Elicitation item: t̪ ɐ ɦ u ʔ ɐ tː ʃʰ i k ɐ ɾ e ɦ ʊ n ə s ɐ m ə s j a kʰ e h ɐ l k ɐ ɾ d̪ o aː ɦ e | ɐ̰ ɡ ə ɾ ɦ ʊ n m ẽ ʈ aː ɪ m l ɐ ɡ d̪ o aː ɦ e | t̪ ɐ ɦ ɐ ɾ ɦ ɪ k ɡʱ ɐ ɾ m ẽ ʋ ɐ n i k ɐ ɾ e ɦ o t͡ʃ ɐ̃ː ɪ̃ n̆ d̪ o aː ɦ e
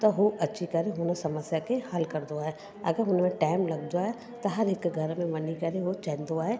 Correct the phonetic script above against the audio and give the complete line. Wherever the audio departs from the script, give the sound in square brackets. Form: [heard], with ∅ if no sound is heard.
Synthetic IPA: t̪ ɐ ɦ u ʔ ɐ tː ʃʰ i k ɐ ɾ e ɦ ʊ n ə s ɐ m ə s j a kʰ e h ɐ l k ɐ ɾ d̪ o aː ɦ e | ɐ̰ ɡ ə ɾ ɦ ʊ n m ẽ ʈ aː ɪ m l ɐ ɡ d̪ o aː ɦ e | t̪ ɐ ɦ ɐ ɾ ɦ ɪ k ɡʱ ɐ ɾ m ẽ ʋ ɐ n i k ɐ ɾ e ɦ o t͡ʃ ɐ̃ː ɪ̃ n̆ d̪ o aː ɦ e